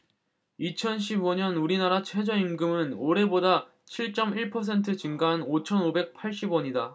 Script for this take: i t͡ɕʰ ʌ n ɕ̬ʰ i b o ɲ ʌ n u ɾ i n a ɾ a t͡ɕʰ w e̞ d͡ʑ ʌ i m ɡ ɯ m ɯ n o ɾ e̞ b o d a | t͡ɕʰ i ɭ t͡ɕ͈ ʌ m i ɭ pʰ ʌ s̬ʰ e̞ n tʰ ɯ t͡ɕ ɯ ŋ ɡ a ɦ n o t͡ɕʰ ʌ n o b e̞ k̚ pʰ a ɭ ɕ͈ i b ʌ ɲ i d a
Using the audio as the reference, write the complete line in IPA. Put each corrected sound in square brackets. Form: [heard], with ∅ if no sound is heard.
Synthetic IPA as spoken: i t͡ɕʰ ʌ n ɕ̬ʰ i b o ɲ ʌ n u ɾ i n a ɾ a t͡ɕʰ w e̞ d͡ʑ ʌ i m ɡ ɯ m ɯ n o ɾ e̞ b o d a | t͡ɕʰ i ɭ t͡ɕ͈ ʌ m i ɭ pʰ ʌ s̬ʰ e̞ n tʰ ɯ t͡ɕ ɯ ŋ ɡ a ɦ n o t͡ɕʰ ʌ n o b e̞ k̚ pʰ a ɭ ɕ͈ i b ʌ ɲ i d a